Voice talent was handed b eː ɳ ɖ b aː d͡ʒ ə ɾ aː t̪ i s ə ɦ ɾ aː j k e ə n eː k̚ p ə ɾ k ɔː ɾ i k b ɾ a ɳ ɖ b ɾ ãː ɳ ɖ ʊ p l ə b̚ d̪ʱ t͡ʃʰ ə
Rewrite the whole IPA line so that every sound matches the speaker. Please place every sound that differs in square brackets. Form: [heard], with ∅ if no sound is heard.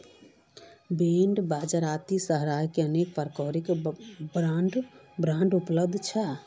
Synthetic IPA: b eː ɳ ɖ b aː d͡ʒ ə ɾ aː t̪ i s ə ɦ ɾ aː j k e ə n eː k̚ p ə ɾ k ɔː ɾ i k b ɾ a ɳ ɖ b ɾ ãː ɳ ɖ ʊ p l ə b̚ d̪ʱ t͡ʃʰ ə